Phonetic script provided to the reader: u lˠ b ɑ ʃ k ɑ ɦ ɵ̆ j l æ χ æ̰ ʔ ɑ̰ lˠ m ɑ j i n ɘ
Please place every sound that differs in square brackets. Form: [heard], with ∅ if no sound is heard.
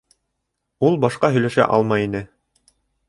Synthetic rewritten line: u lˠ b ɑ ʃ [q] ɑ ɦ ɵ̆ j l æ [ʃ] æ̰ ʔ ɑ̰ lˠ m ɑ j i n ɘ

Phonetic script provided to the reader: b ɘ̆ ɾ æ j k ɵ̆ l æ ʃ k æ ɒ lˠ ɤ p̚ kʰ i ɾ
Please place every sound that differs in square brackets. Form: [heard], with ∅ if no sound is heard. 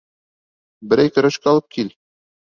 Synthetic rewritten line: b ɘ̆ ɾ æ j k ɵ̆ [ɾ] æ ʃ k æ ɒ lˠ ɤ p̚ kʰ i [l]

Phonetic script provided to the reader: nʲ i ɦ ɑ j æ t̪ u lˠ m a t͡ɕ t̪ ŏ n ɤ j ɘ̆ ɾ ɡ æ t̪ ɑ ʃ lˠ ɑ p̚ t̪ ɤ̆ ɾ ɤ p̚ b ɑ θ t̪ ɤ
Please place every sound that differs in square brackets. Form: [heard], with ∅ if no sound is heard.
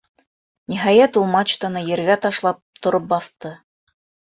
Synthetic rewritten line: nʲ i ɦ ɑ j æ t̪ u lˠ m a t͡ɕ t̪ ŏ n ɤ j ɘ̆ ɾ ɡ æ t̪ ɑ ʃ lˠ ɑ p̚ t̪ [ŏ] ɾ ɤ p̚ b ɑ θ t̪ ɤ

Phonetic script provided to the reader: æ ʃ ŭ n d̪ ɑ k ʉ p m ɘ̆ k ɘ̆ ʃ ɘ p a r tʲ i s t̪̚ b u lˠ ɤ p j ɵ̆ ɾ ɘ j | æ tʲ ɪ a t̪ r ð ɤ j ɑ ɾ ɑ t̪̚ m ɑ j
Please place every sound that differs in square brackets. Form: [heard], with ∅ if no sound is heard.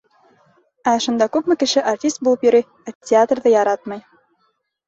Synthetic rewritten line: æ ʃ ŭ n d̪ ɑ k ʉ p m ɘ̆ k ɘ̆ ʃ ɘ [ʔ] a r tʲ i s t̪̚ b u lˠ ɤ p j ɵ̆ ɾ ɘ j | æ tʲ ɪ a t̪ r ð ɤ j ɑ ɾ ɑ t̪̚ m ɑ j

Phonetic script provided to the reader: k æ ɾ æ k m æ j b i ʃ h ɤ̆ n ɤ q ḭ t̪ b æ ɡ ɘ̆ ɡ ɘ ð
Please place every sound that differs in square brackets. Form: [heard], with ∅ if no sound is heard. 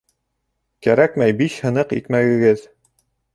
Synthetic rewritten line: k æ ɾ æ k m æ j b i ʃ h ɤ̆ n ɤ q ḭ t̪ [m] æ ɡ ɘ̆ ɡ ɘ ð

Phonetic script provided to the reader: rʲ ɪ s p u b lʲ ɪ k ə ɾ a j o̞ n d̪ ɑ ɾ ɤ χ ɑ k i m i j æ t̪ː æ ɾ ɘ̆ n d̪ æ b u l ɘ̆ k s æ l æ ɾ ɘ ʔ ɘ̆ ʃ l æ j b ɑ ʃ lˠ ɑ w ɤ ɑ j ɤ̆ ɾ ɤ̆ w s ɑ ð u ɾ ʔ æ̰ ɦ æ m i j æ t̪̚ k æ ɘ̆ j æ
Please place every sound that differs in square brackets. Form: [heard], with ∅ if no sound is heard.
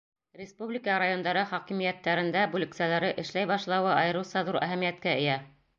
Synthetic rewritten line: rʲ ɪ s p u b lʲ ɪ k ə ɾ a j o̞ n d̪ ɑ ɾ ɤ χ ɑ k i m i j æ t̪ː æ ɾ ɘ̆ n d̪ æ b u l ɘ̆ k s æ l æ ɾ ɘ ʔ ɘ̆ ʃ l æ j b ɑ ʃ lˠ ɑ w ɤ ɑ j ɤ̆ ɾ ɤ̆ w s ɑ ð u ɾ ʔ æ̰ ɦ æ m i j æ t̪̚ k æ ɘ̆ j æ

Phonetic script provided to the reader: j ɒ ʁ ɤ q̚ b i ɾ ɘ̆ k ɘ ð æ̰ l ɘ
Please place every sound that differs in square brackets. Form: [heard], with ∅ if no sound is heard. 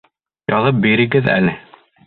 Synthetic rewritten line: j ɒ [ð] ɤ [p̚] b i ɾ ɘ̆ [ɡ] ɘ ð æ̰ l ɘ

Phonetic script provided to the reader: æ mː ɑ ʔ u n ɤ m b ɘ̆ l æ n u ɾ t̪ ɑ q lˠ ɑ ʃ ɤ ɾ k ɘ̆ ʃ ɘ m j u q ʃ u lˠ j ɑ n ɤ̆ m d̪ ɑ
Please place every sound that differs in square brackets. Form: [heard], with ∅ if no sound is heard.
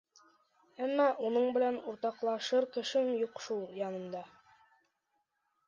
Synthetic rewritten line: æ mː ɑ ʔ u n ɤ [ɴ] b ɘ̆ l æ n u ɾ t̪ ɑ q lˠ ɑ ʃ ɤ ɾ k ɘ̆ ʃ ɘ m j u q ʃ u lˠ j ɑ n ɤ̆ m d̪ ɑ

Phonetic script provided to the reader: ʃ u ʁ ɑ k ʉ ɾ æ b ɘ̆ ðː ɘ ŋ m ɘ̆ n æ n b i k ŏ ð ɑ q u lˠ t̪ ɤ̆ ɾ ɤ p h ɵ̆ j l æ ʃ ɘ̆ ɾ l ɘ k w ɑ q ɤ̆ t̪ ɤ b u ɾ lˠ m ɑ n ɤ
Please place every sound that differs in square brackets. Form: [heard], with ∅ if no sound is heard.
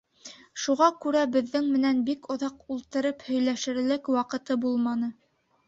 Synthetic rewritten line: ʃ u ʁ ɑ k ʉ ɾ æ b ɘ̆ ðː ɘ ŋ m ɘ̆ n æ n b i k ŏ ð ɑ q u lˠ t̪ ɤ̆ ɾ ɤ p h ɵ̆ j l æ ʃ ɘ̆ ɾ l ɘ k w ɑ q ɤ̆ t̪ ɤ b u [∅] lˠ m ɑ n ɤ

